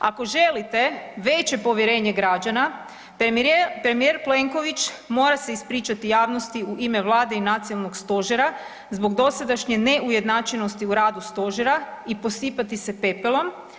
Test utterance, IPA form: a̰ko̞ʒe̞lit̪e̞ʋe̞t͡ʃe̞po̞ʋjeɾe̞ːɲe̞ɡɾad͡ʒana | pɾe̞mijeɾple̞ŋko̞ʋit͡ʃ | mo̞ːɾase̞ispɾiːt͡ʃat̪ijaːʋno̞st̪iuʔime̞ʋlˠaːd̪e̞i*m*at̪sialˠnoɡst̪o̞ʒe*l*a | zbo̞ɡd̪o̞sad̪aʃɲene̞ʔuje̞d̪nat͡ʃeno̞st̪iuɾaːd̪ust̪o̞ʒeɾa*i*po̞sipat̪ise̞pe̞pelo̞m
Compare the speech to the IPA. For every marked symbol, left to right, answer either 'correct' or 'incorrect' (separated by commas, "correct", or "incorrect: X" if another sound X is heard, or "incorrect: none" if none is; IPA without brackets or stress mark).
incorrect: n, incorrect: ɾ, correct